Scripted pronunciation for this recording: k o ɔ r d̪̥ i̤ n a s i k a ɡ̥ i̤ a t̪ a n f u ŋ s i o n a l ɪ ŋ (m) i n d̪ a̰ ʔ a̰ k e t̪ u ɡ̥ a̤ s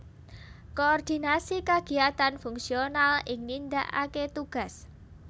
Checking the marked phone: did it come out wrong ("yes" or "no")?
yes